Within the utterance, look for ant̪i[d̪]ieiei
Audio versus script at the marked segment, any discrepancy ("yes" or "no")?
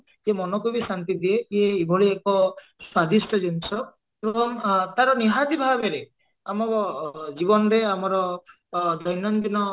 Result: no